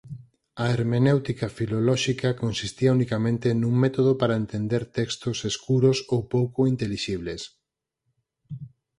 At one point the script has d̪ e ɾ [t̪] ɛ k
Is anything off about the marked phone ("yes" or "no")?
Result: no